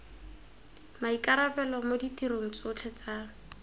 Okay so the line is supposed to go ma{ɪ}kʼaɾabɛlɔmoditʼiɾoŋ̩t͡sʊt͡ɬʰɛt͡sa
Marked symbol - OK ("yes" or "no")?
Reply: no